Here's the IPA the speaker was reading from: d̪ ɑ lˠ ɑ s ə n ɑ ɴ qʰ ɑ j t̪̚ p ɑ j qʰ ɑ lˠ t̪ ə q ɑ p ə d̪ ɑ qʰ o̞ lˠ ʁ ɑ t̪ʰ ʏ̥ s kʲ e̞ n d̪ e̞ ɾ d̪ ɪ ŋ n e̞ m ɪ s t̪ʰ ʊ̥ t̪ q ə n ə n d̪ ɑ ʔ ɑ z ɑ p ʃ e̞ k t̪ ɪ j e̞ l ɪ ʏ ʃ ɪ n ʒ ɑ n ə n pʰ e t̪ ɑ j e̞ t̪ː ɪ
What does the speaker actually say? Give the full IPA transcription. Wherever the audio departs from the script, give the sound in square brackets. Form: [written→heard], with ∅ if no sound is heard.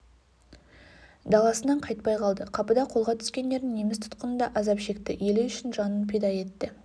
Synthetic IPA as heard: d̪ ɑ lˠ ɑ s ə n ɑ ɴ qʰ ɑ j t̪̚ p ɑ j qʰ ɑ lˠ [t̪→d̪] ə [q→qʰ] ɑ p ə d̪ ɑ qʰ o̞ lˠ ʁ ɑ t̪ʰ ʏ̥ s kʲ e̞ n d̪ e̞ ɾ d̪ ɪ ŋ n e̞ m ɪ s t̪ʰ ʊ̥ t̪ q ə n ə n d̪ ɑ ʔ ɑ z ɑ p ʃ e̞ k t̪ ɪ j e̞ l ɪ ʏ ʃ ɪ n ʒ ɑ n ə n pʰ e [t̪→d̪] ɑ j e̞ t̪ː ɪ